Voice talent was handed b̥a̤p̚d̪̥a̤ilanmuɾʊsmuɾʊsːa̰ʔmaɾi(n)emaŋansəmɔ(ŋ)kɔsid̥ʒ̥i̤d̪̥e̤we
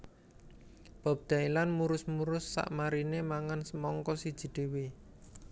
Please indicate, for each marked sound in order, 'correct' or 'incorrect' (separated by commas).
correct, correct